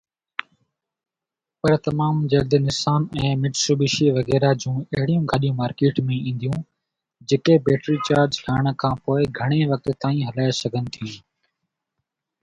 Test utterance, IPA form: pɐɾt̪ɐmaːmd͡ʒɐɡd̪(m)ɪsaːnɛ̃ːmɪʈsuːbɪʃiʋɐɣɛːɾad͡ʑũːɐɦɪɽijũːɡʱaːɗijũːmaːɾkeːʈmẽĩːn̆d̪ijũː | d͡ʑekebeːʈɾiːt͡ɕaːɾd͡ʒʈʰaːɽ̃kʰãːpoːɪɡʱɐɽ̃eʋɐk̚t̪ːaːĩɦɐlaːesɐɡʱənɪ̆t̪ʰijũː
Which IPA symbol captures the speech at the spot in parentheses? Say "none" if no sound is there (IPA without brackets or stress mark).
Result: n